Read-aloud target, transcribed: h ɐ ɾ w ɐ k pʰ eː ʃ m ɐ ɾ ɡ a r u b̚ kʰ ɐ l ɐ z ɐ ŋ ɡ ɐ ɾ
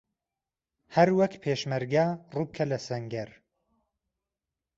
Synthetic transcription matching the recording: h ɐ ɾ w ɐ k pʰ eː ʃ m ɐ ɾ ɡ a r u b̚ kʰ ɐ l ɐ s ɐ ŋ ɡ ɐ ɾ

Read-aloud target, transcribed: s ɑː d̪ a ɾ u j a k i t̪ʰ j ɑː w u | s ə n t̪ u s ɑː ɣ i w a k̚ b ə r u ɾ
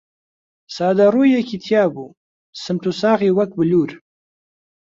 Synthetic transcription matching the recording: s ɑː d̪ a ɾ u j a k i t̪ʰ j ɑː b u | s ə m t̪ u s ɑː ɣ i w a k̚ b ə l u ɾ

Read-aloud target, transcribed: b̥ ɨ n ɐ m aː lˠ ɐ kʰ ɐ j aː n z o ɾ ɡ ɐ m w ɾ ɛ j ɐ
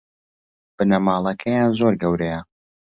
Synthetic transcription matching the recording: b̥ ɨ n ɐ m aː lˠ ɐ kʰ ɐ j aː n z o ɾ ɡ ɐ w ɾ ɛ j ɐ

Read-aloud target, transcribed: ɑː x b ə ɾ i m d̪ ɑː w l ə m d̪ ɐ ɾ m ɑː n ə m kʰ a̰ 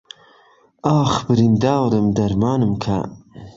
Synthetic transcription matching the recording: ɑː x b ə ɾ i n d̪ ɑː w ɾ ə m d̪ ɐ ɾ m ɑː n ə m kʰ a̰

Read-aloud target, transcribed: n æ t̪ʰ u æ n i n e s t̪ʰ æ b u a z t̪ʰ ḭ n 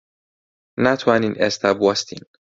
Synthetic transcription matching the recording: n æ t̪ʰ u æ n i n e s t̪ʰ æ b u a s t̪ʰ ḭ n

